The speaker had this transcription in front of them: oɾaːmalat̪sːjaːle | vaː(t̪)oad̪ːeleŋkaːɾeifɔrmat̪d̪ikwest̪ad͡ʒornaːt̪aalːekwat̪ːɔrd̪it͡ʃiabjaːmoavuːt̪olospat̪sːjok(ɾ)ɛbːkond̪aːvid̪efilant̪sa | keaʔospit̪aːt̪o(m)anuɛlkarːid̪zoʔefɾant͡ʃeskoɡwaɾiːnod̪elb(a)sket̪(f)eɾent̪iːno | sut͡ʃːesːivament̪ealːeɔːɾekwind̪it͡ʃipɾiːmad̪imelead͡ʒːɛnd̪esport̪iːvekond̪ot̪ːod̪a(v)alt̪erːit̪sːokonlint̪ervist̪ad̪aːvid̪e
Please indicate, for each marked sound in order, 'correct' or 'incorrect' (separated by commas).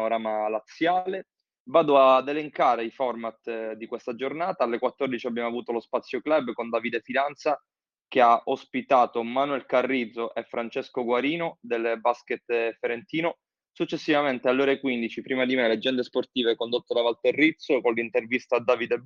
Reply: incorrect, incorrect, correct, correct, correct, correct